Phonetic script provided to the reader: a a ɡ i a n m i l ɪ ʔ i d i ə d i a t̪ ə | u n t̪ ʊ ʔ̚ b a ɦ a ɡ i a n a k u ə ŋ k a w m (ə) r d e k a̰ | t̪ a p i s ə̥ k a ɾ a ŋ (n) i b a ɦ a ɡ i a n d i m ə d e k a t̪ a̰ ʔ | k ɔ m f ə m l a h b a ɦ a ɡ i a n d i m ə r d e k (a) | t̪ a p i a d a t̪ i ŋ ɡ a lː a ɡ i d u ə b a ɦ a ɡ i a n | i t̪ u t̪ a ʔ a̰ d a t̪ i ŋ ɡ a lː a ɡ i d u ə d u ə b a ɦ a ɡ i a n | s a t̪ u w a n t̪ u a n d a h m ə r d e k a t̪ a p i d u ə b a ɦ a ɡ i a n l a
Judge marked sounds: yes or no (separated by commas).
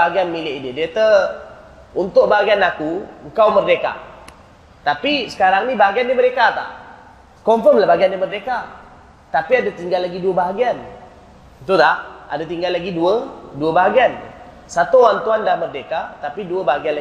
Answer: yes, yes, yes